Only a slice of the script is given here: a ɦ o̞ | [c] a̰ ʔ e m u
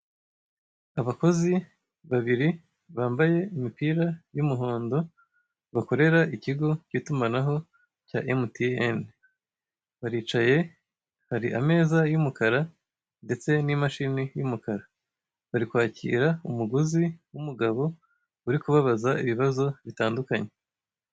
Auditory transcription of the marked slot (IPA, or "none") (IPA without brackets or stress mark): c